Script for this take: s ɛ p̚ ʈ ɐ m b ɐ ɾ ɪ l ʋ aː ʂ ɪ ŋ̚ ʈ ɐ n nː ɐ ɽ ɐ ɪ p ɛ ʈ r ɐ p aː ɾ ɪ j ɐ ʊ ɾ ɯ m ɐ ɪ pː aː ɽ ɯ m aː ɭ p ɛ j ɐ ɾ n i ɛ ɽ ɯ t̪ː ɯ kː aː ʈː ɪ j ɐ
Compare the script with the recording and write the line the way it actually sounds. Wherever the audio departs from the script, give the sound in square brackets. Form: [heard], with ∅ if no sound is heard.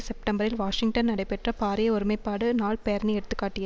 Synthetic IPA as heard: s ɛ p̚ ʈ ɐ m b ɐ ɾ ɪ l ʋ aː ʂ ɪ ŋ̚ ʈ ɐ n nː ɐ ɽ ɐ ɪ p ɛ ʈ r ɐ p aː ɾ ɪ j ɐ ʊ ɾ ɯ m ɐ ɪ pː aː ɽ ɯ [n] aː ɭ p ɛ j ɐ ɾ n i ɛ ɽ ɯ t̪ː ɯ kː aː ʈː ɪ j ɐ